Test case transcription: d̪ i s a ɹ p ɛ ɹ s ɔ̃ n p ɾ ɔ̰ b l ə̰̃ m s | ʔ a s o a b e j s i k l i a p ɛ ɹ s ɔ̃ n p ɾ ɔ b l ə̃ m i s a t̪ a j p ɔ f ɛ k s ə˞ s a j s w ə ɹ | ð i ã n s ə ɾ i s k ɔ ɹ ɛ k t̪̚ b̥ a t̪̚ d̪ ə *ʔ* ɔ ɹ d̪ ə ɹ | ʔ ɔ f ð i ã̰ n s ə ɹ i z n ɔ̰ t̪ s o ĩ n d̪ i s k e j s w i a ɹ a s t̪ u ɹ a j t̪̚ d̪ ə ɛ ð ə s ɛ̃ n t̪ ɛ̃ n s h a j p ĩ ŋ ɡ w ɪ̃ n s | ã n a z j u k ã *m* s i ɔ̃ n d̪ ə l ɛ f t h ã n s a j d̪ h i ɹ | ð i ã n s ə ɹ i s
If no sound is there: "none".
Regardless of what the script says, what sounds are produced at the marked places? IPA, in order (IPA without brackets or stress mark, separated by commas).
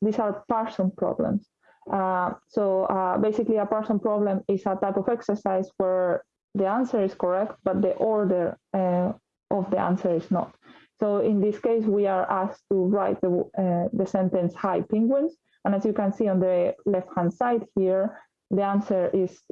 ʔ, n